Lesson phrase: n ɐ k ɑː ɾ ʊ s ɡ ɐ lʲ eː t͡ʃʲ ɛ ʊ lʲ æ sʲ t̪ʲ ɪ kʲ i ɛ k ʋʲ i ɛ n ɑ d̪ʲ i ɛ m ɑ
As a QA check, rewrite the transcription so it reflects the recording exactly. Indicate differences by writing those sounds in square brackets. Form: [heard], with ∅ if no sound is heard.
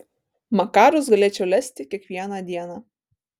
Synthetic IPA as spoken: [m] ɐ k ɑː ɾ ʊ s ɡ ɐ lʲ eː t͡ʃʲ ɛ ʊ lʲ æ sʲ t̪ʲ ɪ kʲ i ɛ k ʋʲ i ɛ n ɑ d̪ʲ i ɛ [n] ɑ